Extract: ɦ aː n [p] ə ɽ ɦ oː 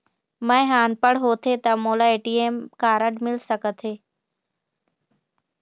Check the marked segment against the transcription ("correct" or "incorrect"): correct